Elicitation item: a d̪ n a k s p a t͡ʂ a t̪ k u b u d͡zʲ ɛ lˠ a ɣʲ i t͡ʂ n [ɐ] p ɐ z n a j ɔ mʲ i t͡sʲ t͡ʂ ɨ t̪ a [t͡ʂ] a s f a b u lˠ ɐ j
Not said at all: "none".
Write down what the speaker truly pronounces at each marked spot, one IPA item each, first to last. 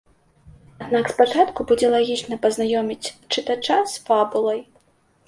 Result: ɐ, t͡ʂ

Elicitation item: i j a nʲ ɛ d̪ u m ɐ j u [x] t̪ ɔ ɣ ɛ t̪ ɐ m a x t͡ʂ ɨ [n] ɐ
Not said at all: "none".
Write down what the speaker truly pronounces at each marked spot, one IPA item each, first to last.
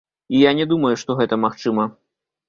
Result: ʂ, m

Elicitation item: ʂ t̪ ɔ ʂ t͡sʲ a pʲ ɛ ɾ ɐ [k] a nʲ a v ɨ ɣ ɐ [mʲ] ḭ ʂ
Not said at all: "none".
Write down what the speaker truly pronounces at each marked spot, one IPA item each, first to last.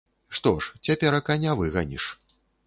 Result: k, nʲ

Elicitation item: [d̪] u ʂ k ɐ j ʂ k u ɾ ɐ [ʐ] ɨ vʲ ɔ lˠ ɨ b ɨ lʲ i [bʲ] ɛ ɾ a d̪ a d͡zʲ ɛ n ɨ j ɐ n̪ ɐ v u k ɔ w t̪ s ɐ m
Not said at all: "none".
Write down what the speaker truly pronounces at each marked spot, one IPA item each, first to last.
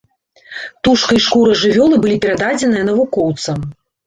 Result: t̪, ʐ, pʲ

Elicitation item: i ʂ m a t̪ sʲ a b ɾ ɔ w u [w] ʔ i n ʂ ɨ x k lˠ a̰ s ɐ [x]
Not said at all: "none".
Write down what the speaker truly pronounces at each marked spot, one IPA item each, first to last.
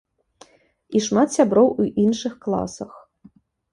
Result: none, x

